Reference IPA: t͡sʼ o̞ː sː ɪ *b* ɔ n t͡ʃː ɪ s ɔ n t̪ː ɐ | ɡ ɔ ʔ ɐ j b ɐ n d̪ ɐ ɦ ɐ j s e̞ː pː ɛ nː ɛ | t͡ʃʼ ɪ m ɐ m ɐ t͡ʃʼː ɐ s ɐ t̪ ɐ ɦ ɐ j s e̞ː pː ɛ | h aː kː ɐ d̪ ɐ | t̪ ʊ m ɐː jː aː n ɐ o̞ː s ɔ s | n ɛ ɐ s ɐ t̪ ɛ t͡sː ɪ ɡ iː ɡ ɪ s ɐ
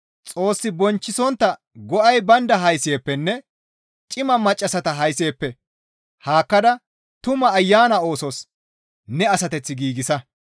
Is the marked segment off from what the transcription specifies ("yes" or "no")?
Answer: no